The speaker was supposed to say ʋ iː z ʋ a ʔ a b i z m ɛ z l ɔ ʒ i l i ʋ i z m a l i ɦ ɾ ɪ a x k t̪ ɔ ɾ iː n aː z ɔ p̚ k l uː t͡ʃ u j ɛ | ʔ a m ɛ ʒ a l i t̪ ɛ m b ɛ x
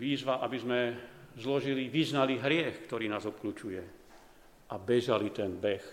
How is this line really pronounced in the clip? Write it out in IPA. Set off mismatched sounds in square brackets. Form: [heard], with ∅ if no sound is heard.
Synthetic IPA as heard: ʋ iː z ʋ a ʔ a b i z m ɛ z l ɔ ʒ i l i ʋ i z [n] a l i ɦ ɾ ɪ [ɛ] x k t̪ ɔ ɾ iː n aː z ɔ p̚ k l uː t͡ʃ u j ɛ | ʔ a [b] ɛ ʒ a l i t̪ ɛ [n] b ɛ x